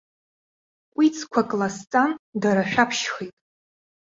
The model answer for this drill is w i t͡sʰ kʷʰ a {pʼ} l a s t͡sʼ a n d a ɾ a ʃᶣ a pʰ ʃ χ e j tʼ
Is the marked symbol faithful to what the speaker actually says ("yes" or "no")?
no